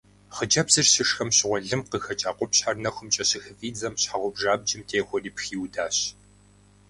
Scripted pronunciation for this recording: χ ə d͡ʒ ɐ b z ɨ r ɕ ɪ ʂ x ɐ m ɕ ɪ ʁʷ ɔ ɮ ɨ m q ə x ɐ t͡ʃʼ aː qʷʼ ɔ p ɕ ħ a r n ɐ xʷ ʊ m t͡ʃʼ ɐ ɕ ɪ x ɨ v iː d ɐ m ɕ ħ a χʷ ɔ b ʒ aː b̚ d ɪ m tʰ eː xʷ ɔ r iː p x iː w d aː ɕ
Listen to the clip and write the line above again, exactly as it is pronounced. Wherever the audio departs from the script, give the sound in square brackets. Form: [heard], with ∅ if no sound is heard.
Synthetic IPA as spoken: χ ə d͡ʒ ɐ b z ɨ r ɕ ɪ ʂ x ɐ m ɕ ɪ ʁʷ ɔ ɮ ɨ m q ə x ɐ t͡ʃʼ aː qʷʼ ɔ p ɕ ħ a r n ɐ xʷ ʊ m t͡ʃʼ ɐ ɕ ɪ x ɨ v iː [d͡z] ɐ m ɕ ħ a [ʁʷ] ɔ b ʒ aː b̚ [d͡ʒ] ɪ m tʰ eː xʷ ɔ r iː p x iː w d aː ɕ